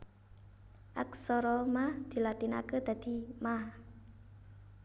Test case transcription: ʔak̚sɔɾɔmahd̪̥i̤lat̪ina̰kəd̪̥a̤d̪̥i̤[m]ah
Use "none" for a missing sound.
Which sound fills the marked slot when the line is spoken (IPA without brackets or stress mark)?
m